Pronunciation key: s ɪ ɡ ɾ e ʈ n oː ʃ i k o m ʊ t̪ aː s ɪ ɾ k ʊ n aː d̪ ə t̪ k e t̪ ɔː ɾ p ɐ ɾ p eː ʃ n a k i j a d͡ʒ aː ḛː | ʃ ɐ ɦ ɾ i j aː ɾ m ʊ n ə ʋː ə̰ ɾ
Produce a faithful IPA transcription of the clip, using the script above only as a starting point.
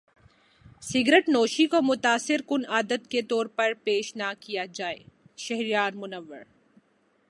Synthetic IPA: s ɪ ɡ ɾ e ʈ n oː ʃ i k o m ʊ t̪ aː s ɪ ɾ k ʊ n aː d̪ ə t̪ k e t̪ ɔː ɾ p ɐ ɾ p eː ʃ n a k i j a d͡ʒ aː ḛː | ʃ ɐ ɦ ɾ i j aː ɾ m ʊ n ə ʋː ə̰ ɾ